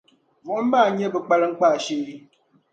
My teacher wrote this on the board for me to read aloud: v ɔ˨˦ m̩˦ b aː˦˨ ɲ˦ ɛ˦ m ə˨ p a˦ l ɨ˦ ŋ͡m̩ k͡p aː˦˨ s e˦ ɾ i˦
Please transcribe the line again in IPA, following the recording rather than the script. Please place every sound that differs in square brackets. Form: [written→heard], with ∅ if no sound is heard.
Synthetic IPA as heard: v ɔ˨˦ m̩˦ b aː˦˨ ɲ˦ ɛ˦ [m→b] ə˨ [p→k͡p] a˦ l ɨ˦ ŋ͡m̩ k͡p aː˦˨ [s→ʃ] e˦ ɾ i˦

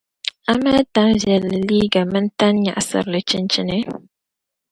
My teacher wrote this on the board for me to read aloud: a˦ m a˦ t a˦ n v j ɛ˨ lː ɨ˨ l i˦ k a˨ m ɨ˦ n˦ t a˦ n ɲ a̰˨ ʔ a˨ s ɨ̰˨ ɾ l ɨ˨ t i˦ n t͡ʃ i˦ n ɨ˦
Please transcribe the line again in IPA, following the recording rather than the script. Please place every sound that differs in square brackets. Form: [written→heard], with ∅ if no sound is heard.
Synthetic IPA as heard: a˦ m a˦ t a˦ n v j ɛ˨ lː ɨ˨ l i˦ [k→ɡ] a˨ m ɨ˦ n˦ t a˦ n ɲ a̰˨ ʔ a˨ s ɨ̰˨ ɾ l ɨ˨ [t→t͡ʃ] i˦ n t͡ʃ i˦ n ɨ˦

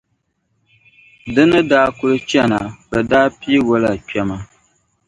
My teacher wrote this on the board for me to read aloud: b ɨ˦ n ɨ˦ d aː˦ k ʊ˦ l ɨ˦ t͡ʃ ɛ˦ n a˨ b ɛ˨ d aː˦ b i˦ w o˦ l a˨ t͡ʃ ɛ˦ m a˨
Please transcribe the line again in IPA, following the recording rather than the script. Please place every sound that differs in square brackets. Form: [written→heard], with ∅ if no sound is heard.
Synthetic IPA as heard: [b→d] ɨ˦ n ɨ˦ d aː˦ k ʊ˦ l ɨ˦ t͡ʃ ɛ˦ n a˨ b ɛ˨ d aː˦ [b→p] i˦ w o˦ l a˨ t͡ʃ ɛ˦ m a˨

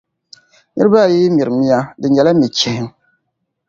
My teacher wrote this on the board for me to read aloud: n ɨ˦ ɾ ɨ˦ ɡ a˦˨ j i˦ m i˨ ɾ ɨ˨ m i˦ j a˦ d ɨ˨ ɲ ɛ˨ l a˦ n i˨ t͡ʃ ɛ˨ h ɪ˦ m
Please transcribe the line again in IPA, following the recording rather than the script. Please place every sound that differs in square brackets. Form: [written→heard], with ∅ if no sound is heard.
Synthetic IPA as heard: n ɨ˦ ɾ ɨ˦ [ɡ→b] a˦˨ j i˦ m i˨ ɾ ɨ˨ m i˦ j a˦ d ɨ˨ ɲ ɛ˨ l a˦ [n→m] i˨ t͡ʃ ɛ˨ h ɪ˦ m

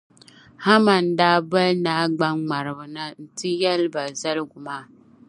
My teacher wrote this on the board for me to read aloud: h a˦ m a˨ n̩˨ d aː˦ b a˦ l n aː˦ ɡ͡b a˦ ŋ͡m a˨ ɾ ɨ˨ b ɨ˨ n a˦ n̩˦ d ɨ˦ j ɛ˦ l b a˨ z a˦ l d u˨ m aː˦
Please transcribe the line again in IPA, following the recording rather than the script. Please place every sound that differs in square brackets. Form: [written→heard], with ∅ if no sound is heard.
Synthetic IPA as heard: h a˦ m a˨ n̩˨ d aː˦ b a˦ l n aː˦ ɡ͡b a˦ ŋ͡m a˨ ɾ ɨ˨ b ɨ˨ n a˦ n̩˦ [d→t] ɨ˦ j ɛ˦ l b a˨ z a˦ l [d→ɡ] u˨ m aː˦

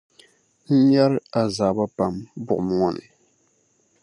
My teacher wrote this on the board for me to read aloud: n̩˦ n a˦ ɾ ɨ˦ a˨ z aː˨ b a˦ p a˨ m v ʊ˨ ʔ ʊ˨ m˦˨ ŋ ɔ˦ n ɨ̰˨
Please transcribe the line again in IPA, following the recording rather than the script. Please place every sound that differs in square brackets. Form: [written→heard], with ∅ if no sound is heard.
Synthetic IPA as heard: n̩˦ [n→ɲ] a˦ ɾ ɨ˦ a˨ z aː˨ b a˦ p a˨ m [v→b] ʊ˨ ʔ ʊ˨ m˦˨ ŋ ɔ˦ n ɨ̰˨

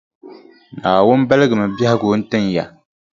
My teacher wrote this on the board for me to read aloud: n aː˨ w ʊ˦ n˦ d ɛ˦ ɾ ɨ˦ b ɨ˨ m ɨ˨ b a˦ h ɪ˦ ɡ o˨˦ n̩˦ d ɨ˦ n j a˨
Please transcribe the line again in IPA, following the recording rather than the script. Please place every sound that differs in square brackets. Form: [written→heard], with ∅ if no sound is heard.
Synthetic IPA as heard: n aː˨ w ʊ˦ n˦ [d→b] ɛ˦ [ɾ→l] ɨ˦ [b→ɡ] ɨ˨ m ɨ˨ b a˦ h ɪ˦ ɡ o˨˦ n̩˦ [d→t] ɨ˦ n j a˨

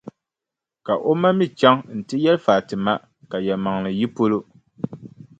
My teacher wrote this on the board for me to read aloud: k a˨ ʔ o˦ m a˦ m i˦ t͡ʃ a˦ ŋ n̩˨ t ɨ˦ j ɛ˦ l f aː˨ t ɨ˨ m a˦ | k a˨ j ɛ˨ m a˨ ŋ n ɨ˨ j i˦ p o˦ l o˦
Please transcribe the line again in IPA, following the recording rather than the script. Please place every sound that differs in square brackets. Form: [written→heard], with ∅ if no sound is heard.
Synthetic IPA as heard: k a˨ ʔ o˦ m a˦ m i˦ t͡ʃ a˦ ŋ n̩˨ t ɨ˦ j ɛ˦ l f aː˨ t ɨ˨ m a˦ | k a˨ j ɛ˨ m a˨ ŋ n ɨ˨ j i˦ p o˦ l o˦

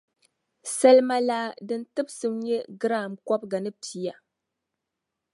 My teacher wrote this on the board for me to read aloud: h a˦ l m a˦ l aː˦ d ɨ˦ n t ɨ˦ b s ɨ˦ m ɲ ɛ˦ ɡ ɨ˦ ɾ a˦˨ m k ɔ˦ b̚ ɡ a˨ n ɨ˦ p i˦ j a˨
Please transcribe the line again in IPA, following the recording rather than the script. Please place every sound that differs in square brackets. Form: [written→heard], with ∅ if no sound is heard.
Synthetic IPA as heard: [h→s] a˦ l m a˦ l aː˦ d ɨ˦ n t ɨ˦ b s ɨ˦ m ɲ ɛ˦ ɡ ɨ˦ ɾ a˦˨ m k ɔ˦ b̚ ɡ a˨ n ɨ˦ p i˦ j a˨

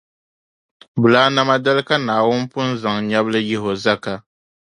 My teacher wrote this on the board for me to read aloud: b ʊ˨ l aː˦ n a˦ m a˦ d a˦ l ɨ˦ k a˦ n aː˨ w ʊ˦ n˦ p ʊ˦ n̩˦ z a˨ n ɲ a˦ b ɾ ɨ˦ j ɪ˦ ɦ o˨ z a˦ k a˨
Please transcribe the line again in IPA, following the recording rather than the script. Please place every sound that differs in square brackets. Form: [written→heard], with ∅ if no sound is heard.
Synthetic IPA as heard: b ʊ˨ l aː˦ n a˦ m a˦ d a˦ l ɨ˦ k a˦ n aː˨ w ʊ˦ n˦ p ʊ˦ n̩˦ z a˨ [n→ŋ] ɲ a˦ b [ɾ→l] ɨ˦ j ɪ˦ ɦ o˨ z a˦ k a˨

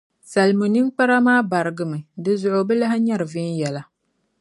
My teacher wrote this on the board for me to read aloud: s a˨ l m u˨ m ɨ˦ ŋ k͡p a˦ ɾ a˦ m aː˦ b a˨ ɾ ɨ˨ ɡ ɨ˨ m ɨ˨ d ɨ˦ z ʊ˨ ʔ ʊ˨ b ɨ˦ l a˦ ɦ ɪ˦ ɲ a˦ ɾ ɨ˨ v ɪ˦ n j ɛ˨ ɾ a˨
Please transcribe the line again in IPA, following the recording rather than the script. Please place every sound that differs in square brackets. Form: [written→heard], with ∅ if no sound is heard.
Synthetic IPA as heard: s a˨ l m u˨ [m→n] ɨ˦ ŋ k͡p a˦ ɾ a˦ m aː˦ b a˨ ɾ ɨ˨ ɡ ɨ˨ m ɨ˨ d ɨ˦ z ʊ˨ ʔ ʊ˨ b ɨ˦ l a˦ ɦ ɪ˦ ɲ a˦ ɾ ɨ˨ v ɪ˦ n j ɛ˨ [ɾ→l] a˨

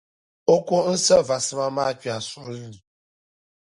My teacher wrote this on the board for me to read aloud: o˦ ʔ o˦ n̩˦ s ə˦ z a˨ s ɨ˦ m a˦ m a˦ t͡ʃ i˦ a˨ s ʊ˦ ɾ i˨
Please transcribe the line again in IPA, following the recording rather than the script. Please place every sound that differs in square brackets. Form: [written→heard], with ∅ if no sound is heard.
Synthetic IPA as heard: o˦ [ʔ→k] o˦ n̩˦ s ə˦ [z→v] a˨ s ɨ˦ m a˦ m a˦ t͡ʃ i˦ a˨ s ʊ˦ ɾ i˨

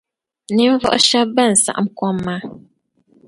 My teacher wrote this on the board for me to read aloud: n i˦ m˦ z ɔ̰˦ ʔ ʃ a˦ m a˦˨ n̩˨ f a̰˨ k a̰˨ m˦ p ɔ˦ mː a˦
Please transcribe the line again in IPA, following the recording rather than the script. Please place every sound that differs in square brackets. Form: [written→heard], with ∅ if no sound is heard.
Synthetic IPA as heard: n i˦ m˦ [z→v] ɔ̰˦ ʔ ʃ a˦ [m→b] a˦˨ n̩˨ [f→s] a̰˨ [k→ʔ] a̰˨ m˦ [p→k] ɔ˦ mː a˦

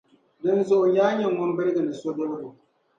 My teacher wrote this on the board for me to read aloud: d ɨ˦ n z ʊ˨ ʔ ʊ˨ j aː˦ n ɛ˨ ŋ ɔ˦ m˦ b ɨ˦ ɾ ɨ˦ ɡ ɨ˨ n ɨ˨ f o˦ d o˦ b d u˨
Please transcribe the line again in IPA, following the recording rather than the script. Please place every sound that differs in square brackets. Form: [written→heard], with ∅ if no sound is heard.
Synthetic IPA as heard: d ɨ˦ n z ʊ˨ ʔ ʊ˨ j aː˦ [n→ɲ] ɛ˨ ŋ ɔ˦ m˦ b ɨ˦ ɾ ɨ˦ ɡ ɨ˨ n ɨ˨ [f→s] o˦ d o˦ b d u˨

